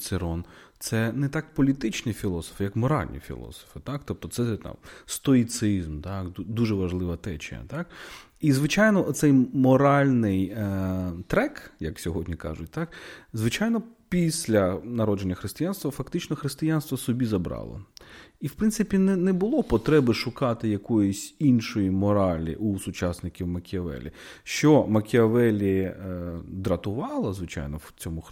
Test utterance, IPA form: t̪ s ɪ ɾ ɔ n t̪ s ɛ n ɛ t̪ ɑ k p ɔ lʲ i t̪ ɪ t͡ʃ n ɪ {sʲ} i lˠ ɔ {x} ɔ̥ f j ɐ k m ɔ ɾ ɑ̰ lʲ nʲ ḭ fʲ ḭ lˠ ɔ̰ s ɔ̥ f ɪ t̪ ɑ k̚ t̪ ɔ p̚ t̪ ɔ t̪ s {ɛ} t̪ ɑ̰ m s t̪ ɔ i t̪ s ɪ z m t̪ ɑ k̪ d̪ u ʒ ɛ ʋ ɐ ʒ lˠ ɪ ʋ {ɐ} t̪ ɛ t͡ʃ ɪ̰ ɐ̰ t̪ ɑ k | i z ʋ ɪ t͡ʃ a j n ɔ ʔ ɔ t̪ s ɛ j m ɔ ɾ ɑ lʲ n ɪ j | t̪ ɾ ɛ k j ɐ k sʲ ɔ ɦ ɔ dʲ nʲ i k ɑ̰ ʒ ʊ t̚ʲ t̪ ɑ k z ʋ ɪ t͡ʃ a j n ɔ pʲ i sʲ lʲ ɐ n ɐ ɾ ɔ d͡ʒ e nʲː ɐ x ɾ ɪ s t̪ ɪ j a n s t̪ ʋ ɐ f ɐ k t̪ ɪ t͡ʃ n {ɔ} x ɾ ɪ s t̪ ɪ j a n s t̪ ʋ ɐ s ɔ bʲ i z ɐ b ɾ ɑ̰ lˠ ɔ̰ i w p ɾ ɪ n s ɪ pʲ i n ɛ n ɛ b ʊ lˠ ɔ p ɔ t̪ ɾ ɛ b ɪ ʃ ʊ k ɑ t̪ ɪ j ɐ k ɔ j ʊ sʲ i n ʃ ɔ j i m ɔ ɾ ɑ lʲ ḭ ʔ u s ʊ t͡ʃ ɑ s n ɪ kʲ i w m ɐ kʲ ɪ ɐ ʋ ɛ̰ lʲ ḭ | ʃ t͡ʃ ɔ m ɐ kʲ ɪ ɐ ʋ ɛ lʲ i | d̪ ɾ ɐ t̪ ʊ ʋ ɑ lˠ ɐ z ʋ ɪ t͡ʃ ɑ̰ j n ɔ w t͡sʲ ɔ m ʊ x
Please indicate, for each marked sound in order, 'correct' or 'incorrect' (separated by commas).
incorrect, incorrect, correct, correct, correct